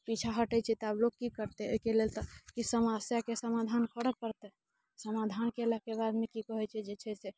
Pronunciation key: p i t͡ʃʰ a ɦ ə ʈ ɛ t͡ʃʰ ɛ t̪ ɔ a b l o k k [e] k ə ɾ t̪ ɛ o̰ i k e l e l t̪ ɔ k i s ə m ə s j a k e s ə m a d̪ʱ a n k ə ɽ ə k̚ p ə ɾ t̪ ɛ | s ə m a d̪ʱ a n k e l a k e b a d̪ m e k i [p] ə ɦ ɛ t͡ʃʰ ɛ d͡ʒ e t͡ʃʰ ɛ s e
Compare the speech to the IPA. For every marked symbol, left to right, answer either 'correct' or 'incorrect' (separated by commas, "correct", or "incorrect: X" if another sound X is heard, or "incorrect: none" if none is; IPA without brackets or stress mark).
incorrect: i, incorrect: k